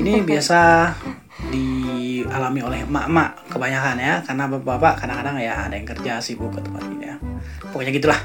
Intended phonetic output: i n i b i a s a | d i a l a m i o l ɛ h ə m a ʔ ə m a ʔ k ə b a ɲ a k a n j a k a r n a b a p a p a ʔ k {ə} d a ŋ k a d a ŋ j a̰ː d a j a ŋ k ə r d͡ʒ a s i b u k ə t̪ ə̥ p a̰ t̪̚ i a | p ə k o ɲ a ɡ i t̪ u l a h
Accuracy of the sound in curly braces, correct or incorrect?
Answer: incorrect